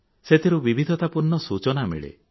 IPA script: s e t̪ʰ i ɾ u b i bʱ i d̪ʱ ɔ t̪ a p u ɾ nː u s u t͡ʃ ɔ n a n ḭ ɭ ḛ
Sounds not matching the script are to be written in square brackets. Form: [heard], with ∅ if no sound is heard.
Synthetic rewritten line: s e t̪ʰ i ɾ u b i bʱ i d̪ʱ ɔ t̪ a p u ɾ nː [ɔ] s u t͡ʃ ɔ n a [m] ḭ ɭ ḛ